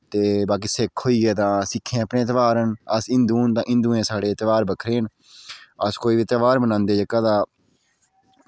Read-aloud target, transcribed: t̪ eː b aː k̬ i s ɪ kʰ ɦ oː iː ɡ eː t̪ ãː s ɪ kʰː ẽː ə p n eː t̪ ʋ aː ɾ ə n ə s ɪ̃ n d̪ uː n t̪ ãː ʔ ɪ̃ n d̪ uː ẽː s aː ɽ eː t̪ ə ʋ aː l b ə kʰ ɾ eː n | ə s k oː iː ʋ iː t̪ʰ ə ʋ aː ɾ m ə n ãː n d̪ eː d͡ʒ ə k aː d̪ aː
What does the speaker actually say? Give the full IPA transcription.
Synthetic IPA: t̪ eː b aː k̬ iː s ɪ kʰ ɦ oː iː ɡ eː t̪ ãː s ɪ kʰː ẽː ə p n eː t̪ ʋ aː ɾ ə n ə s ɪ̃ n d̪ uː n t̪ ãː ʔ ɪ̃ n d̪ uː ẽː s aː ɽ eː t̪ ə ʋ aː ɾ b ə kʰ ɾ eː n | ə s k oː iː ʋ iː t̪ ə ʋ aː ɾ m ə n ãː n d̪ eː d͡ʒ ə k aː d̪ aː